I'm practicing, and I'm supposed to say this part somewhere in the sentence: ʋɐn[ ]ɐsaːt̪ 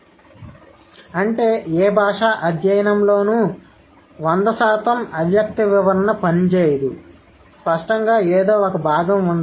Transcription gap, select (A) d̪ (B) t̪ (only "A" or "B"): A